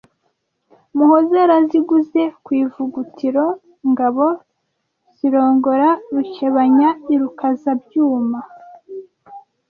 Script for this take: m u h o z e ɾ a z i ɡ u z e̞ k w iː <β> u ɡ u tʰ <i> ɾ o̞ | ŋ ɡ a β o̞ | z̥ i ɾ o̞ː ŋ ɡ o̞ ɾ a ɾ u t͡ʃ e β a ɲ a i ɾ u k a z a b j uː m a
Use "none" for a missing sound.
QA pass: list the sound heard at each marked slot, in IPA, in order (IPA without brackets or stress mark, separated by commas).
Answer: v, i